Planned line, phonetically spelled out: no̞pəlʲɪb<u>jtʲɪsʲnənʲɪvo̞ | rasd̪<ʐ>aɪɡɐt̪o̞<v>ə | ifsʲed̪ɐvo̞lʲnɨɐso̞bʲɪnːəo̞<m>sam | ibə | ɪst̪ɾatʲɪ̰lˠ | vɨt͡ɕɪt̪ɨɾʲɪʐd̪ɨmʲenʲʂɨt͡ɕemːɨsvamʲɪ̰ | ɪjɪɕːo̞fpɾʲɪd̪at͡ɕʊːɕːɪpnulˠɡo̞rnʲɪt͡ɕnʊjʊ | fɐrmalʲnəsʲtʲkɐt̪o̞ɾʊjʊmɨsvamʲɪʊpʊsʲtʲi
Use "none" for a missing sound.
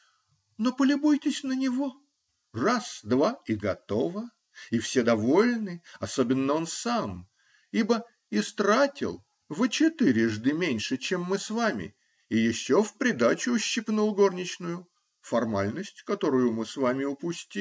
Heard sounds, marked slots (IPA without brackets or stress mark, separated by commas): u, v, v, n